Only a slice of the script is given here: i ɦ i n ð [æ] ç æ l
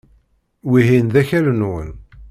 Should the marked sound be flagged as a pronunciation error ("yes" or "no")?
no